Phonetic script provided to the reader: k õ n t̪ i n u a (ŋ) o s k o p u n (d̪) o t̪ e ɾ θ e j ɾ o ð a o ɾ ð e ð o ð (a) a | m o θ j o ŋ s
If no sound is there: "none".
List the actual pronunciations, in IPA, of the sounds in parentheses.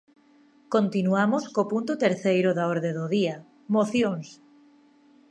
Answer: m, t̪, i

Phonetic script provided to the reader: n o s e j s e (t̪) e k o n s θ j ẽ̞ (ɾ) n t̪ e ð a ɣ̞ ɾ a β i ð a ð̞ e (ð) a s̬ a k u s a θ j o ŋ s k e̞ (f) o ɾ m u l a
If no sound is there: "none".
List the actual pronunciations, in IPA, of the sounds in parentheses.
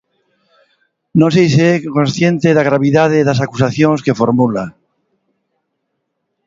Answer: none, none, ð, f

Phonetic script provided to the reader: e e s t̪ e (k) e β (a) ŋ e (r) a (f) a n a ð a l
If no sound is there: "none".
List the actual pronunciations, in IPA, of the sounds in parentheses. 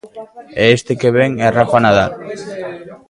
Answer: k, e, r, f

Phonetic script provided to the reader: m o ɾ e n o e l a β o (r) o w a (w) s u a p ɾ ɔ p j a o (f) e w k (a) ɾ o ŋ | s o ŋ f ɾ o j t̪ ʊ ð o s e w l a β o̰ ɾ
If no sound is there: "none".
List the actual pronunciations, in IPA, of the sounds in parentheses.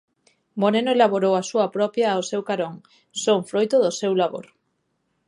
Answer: ɾ, none, s, a

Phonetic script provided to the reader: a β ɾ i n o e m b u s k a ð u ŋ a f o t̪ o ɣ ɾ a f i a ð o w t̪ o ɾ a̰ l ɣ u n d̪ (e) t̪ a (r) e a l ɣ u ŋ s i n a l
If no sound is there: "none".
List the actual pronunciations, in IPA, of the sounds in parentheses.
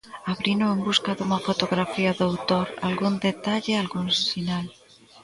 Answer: e, ʎ

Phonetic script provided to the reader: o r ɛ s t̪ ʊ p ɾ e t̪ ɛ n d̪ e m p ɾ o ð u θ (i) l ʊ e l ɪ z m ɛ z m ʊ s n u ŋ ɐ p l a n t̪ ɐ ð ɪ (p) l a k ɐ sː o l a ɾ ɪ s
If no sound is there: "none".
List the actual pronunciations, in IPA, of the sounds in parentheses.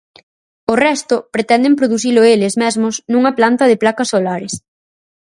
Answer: i, p

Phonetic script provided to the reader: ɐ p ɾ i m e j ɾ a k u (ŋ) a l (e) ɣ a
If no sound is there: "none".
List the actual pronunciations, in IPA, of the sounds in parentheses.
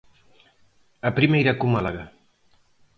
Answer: m, a

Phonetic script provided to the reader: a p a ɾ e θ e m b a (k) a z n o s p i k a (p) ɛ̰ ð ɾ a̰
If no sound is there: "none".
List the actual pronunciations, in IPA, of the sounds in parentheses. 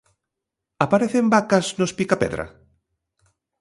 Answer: k, p

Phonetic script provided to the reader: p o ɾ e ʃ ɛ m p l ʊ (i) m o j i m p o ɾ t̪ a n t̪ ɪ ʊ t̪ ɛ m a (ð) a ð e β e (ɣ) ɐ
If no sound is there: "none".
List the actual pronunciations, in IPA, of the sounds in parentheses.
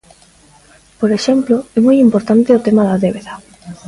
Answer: ɛ, ð, ð

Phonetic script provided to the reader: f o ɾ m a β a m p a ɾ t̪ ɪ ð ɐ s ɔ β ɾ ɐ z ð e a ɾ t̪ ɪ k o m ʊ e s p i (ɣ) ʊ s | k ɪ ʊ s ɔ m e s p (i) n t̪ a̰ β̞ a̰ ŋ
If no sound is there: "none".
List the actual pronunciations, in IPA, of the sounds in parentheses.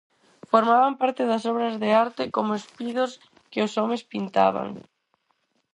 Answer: ð, i

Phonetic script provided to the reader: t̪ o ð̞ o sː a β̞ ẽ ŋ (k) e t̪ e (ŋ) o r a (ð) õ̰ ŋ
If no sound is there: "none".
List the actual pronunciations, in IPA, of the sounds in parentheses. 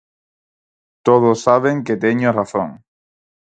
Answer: k, ɲ, θ

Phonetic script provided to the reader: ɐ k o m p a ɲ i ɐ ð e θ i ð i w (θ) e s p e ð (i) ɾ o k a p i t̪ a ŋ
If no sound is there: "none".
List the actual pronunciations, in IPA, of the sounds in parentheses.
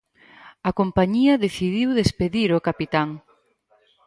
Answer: ð, i

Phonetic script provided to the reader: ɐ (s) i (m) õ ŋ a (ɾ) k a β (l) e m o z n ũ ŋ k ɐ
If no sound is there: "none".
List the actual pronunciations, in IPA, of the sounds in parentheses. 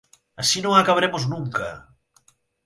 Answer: s, n, none, ɾ

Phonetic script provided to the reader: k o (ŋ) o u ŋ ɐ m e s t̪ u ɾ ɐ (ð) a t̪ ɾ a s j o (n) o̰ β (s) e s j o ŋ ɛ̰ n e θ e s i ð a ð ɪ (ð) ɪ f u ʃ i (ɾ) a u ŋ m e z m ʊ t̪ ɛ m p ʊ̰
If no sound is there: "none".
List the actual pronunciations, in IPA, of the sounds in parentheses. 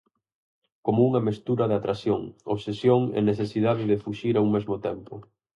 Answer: m, ð, ŋ, s, ð, ɾ

